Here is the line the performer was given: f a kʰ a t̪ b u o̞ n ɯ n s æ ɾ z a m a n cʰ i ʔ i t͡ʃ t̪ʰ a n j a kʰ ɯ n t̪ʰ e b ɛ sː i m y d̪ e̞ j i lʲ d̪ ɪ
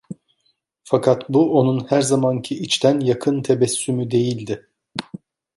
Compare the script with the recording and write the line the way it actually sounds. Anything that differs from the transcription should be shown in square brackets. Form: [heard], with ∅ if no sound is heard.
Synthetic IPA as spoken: f a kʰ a t̪ b u o̞ n [u] n [h] æ ɾ z a m a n cʰ i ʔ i t͡ʃ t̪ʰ [æ] n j a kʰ ɯ n t̪ʰ e b ɛ sː [y] m y d̪ e̞ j i lʲ d̪ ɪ